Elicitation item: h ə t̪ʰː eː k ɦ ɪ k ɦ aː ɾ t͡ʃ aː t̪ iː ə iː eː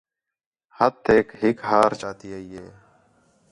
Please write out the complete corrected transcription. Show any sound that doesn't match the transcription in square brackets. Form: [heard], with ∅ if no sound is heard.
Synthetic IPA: h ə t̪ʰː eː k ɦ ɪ k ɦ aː ɾ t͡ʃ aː t̪ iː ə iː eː